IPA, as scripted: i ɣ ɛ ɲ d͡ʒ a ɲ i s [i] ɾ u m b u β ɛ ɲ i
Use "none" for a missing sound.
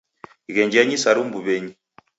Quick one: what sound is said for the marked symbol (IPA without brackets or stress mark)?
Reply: a